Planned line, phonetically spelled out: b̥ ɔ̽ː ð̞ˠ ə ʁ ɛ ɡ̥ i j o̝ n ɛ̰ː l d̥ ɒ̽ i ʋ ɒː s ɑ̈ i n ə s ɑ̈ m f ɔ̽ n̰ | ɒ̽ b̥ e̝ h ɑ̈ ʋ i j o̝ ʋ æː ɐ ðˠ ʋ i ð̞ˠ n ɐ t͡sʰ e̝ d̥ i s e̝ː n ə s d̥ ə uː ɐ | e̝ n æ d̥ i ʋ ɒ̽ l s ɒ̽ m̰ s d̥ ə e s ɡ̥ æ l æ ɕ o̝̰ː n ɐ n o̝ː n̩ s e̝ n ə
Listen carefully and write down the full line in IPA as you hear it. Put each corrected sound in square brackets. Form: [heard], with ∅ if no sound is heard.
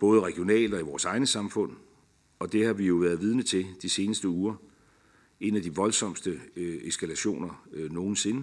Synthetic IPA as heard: b̥ ɔ̽ː ð̞ˠ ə ʁ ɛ ɡ̥ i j o̝ n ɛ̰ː l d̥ ɒ̽ i ʋ ɒː s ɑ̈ [ɪ] n ə s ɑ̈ m f ɔ̽ n̰ | ɒ̽ [d̥] e̝ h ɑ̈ ʋ i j o̝ ʋ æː ɐ ðˠ ʋ i ð̞ˠ n [ə] t͡sʰ e̝ d̥ i s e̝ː n ə s d̥ ə uː ɐ | e̝ n æ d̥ i ʋ ɒ̽ l s ɒ̽ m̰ s d̥ ə e s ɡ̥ æ l æ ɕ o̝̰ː n ɐ n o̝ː n̩ s e̝ n ə